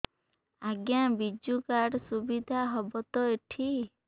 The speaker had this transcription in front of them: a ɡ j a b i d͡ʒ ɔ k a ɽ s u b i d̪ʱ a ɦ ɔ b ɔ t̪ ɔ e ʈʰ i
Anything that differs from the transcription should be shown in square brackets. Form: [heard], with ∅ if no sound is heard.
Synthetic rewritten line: a ɡ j a b i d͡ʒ [u] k a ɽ s u b i d̪ʱ a ɦ ɔ b ɔ t̪ ɔ e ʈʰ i